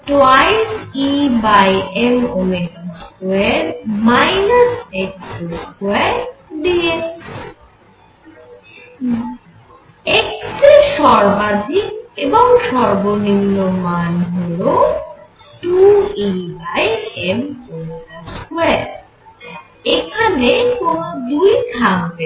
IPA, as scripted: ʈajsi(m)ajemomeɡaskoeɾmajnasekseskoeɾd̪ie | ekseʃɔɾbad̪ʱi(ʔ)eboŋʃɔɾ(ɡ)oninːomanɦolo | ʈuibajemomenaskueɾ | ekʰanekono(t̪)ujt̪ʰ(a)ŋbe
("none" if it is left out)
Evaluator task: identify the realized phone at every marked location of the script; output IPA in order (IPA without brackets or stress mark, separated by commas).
b, k, b, d̪, a